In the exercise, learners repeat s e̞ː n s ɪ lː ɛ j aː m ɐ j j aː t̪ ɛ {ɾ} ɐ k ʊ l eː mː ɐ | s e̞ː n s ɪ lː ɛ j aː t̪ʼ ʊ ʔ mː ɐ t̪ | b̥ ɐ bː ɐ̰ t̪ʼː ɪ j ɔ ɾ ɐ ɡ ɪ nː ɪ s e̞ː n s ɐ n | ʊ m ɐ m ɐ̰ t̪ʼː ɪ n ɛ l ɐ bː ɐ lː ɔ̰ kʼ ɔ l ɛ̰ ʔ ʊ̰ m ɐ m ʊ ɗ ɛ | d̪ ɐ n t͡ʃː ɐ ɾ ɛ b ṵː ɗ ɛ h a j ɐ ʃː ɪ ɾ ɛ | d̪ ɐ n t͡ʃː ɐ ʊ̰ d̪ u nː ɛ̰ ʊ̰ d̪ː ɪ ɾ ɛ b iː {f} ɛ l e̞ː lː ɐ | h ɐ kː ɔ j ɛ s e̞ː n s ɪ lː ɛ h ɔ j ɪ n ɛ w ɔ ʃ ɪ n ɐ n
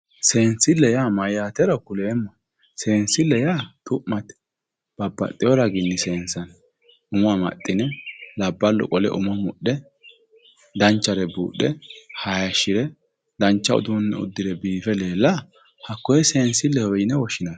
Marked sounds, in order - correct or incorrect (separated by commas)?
correct, correct